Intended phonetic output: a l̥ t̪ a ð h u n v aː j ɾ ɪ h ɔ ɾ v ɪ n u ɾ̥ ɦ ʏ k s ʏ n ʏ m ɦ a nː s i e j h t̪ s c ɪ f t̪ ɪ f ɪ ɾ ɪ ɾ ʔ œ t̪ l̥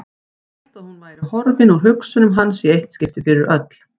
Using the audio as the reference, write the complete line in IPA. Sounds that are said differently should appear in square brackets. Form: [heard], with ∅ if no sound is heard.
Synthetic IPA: a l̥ t̪ a ð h u n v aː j ɾ ɪ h ɔ ɾ v ɪ n u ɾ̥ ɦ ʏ k s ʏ n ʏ m ɦ a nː s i e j h t̪ s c ɪ f t̪ ɪ f ɪ ɾ ɪ ɾ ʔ œ t̪ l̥